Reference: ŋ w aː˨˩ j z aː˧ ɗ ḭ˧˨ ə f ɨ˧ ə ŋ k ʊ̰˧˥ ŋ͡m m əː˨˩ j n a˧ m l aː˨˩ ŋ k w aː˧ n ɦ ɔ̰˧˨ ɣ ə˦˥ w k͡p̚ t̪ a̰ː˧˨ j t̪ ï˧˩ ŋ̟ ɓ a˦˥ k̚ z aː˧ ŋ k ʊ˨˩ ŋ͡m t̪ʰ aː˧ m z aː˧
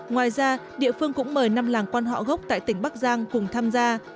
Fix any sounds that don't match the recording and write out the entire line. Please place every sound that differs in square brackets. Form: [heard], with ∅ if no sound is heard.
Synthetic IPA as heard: ŋ w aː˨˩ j z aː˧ ɗ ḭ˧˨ ə f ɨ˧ ə ŋ k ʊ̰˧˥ ŋ͡m m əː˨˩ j n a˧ m l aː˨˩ ŋ k w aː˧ n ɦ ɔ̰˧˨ ɣ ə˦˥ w k͡p̚ t̪ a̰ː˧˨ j t̪ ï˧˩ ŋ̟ ɓ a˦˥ k̚ z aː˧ ŋ k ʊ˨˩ ŋ͡m t̪ʰ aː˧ m z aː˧